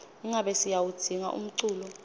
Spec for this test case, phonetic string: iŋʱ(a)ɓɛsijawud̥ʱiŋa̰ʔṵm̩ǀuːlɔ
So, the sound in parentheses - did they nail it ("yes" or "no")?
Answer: yes